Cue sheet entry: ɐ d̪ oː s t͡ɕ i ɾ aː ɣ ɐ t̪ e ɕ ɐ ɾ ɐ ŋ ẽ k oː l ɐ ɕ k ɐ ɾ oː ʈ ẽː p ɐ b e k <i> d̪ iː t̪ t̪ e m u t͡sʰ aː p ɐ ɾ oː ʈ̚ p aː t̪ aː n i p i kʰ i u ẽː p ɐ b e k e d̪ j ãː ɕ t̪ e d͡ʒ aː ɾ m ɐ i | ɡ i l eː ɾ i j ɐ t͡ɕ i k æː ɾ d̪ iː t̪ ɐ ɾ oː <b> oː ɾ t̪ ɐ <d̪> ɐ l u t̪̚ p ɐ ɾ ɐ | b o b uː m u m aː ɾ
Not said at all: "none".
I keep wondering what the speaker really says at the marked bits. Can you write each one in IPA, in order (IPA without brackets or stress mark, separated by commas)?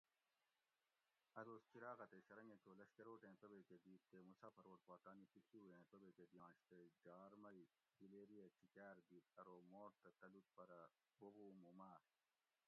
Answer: e, m, t̪